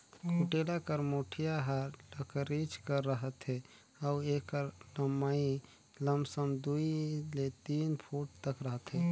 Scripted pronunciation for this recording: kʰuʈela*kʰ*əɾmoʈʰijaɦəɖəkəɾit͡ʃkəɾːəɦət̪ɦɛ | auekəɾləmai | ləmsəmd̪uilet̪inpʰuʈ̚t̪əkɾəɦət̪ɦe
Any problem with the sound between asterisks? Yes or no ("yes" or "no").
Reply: yes